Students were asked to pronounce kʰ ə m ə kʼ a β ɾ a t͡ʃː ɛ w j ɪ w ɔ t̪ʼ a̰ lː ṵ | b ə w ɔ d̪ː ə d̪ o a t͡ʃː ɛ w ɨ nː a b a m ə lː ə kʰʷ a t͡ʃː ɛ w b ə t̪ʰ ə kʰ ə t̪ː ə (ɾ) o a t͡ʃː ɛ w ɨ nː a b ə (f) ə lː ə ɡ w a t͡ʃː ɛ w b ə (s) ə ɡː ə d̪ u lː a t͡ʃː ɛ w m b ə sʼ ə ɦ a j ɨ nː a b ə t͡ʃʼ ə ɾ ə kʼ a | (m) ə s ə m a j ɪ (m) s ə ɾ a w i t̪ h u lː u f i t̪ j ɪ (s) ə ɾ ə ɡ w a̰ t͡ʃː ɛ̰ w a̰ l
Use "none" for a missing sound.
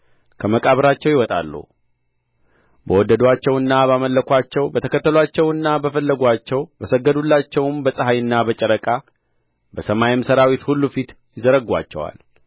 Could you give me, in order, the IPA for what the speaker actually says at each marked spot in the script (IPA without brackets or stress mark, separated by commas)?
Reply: l, f, s, b, m, z